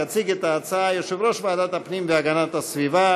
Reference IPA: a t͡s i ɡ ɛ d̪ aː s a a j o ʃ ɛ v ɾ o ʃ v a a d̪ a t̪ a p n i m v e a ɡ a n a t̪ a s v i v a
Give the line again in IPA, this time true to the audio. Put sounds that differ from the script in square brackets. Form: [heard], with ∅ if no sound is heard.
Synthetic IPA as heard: a t͡s i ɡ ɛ [t̪] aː [t͡s] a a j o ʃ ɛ v ɾ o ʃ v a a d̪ a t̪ a p n i m v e a ɡ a n a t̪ a s v i v a